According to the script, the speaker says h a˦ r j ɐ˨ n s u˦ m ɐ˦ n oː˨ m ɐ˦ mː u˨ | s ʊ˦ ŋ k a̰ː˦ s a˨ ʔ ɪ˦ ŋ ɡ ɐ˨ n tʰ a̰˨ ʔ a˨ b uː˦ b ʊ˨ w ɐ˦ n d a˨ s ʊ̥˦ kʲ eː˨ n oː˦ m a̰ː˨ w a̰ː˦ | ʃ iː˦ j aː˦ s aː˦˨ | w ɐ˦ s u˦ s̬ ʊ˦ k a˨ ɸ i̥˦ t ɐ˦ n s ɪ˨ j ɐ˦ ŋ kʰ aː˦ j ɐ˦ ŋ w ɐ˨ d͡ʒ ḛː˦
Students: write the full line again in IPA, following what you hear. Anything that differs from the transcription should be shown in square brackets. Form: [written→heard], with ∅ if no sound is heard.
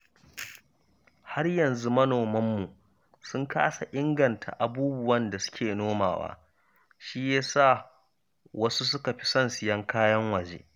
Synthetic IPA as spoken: h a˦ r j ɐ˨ n [s→z] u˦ m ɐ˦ n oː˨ m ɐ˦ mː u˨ | s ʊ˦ ŋ k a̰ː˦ s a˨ ʔ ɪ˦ ŋ ɡ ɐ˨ n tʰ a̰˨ ʔ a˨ b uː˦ b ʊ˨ w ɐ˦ n d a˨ s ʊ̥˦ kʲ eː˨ n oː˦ m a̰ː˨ w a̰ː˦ | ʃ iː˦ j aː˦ s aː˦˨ | w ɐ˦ s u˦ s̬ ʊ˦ k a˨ ɸ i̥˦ [t→s] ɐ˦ n s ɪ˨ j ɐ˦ ŋ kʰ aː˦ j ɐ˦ ŋ w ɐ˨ d͡ʒ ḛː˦